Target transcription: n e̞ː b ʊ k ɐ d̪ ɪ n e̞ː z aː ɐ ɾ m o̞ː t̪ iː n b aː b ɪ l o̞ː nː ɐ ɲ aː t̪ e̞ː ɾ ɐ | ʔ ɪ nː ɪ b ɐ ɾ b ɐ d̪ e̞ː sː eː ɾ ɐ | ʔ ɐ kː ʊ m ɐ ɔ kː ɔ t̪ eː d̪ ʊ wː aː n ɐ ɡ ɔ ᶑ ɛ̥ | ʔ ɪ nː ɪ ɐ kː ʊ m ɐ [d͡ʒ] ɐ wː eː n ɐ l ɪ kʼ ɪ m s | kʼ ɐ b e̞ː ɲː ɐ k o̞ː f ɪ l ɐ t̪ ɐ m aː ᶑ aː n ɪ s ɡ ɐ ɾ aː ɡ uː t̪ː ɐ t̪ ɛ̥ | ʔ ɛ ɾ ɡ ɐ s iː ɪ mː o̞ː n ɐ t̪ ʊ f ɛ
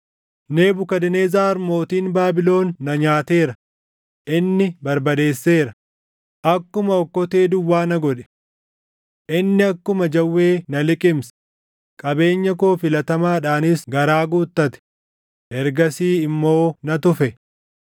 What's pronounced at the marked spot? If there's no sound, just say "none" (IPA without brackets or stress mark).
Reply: d͡ʒ